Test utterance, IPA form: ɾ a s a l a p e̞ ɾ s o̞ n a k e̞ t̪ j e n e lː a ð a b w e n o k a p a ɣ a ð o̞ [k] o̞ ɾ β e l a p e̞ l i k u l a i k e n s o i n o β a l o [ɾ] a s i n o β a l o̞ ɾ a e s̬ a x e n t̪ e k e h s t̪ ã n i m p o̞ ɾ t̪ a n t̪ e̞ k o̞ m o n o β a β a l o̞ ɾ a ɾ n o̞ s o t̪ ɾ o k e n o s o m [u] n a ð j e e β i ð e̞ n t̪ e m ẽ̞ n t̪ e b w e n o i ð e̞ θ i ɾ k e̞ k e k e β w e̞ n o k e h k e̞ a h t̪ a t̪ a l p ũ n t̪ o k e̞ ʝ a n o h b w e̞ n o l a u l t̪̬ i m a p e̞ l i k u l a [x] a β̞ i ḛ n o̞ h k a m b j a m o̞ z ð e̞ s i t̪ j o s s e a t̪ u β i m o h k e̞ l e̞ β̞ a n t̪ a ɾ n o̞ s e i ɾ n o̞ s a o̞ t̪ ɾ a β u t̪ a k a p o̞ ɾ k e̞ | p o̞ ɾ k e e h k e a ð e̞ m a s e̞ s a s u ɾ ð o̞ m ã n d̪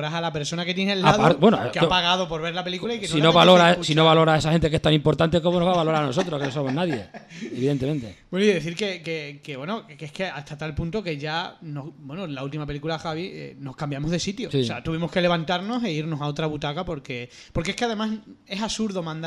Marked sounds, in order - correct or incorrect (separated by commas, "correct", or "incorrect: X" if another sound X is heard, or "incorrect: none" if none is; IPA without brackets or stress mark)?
incorrect: p, correct, incorrect: o, correct